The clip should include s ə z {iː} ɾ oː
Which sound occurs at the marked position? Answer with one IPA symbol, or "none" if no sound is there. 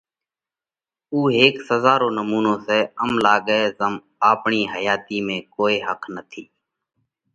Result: aː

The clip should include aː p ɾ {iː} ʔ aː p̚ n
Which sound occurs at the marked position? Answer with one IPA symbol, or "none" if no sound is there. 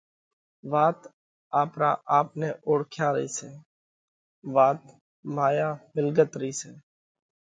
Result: aː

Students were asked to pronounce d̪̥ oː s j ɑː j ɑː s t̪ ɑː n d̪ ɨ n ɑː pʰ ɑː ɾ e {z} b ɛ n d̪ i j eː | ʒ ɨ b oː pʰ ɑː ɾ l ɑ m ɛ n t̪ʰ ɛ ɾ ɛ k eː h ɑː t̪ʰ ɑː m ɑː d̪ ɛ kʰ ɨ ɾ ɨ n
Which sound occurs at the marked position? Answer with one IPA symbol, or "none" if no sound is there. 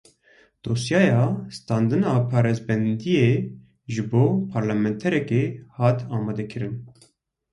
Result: z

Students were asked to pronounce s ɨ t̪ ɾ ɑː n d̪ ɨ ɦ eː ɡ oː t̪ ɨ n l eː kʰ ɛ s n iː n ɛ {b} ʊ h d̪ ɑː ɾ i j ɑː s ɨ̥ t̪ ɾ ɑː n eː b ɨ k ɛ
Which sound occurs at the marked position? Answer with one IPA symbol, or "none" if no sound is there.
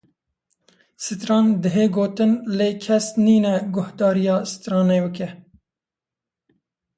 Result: ɡ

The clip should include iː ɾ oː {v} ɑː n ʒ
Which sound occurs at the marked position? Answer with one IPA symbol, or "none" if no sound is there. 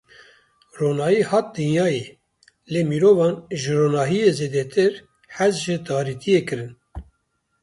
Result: v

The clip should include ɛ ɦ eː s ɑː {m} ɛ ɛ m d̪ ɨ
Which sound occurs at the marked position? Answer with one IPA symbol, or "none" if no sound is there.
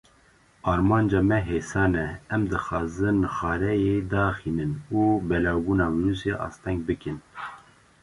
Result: n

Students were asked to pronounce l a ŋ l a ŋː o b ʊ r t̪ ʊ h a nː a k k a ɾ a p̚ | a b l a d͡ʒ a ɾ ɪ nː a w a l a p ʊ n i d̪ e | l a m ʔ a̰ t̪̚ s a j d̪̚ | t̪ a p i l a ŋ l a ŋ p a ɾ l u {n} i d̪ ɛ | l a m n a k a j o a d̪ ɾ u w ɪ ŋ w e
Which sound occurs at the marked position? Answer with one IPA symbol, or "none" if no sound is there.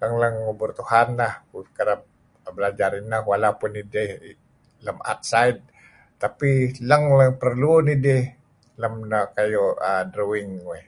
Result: n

